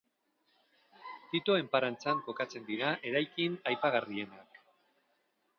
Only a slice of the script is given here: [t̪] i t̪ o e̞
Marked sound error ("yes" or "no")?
no